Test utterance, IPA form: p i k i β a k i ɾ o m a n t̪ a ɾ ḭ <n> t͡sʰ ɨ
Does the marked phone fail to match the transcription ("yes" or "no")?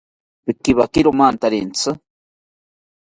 no